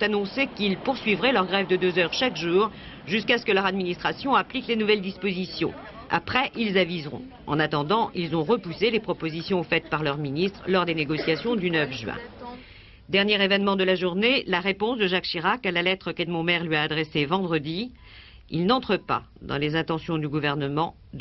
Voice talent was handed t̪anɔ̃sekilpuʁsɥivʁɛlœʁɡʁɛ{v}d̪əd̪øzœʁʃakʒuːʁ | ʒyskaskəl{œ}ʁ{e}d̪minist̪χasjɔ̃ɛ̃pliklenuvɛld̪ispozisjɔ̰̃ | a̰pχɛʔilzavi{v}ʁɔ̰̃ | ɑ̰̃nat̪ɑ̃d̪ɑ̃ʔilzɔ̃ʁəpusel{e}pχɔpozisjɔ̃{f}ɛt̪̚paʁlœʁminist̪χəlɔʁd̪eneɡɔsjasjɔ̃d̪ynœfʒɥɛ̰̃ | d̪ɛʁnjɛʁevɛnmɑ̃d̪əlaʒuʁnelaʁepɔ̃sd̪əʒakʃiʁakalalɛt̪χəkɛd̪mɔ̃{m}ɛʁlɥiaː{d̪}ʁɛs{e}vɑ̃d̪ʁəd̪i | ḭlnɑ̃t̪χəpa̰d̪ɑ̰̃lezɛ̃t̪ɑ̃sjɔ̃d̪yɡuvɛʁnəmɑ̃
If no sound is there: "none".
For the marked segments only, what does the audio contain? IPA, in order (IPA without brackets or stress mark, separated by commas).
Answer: v, œ, a, z, e, f, m, d̪, e